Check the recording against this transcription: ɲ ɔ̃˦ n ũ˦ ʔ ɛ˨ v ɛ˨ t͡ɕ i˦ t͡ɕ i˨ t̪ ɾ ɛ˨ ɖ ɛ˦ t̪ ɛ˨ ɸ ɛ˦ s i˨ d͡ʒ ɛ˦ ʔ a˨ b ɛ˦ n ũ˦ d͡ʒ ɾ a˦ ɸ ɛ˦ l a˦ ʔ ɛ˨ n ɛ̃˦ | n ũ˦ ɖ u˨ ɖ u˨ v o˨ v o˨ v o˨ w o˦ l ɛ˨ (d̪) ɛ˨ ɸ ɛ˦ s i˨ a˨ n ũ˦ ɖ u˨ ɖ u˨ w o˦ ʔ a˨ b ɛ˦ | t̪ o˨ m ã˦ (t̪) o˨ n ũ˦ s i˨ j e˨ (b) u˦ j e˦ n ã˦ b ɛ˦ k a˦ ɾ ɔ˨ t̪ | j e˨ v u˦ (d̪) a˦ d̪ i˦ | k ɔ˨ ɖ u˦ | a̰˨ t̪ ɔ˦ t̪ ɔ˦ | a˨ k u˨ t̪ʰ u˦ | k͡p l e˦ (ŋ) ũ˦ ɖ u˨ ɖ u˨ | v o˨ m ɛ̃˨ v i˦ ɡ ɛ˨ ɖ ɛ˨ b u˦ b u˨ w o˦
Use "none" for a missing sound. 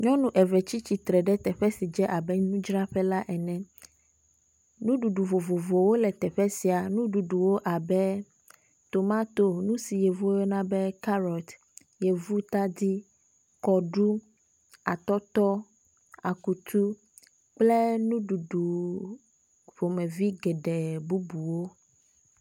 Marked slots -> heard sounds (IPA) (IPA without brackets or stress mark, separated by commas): t̪, t̪, v, t̪, n